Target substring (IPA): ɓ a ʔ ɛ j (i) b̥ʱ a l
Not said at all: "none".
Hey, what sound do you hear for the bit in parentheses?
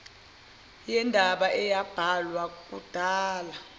a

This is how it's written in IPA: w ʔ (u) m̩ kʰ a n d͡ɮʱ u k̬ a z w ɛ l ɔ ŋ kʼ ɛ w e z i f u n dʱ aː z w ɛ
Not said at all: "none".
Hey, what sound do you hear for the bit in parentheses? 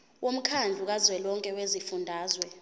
o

